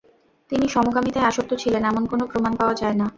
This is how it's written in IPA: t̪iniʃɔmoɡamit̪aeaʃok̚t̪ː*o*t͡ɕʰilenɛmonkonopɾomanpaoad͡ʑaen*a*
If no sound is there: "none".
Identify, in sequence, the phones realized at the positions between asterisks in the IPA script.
o, a

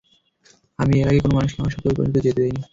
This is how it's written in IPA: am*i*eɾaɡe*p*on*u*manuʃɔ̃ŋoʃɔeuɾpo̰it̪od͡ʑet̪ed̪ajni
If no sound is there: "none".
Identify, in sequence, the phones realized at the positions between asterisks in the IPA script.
i, k, o

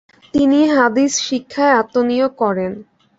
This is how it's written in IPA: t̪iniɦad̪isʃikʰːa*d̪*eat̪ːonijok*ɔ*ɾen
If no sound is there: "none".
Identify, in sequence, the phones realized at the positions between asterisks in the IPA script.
none, ɔ

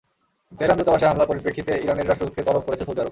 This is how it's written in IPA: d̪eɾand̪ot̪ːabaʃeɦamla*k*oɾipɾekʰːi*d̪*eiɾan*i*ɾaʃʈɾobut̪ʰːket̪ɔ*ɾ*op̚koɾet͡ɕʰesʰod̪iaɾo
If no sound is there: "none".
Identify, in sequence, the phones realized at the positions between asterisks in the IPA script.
p, t̪, e, l

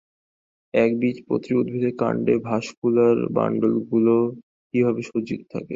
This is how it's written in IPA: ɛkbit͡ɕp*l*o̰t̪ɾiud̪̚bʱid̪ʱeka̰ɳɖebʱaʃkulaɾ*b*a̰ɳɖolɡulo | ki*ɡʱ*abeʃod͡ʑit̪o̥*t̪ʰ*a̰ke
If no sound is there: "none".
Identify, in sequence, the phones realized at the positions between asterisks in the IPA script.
ɾ, b, bʱ, t̪ʰ

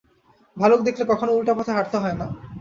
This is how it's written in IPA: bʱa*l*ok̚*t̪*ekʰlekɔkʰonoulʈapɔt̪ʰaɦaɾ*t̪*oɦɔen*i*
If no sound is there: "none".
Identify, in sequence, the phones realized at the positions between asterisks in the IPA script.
l, d̪, t̪, a

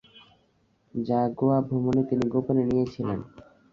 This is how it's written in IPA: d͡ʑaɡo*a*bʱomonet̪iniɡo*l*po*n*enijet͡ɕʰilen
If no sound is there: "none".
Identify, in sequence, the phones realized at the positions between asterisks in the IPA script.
a, none, n

